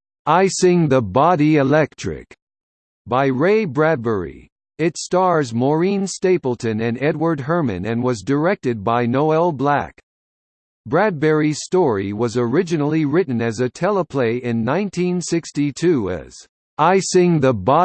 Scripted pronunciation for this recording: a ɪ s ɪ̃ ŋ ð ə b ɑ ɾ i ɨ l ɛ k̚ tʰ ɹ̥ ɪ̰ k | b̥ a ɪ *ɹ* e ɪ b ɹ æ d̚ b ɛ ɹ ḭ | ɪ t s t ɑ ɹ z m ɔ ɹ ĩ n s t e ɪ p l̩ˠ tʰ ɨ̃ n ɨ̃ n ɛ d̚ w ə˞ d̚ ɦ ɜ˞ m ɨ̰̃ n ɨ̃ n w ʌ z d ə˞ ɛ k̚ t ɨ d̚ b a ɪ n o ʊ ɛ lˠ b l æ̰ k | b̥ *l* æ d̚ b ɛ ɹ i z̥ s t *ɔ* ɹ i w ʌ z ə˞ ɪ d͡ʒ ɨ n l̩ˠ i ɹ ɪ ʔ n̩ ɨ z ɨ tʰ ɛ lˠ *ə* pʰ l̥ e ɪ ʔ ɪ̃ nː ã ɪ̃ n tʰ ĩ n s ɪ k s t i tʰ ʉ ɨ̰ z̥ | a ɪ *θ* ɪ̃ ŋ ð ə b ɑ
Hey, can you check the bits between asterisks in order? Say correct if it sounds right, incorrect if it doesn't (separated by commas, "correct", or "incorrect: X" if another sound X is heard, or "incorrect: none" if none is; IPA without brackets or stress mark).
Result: correct, incorrect: ɹ, correct, correct, incorrect: s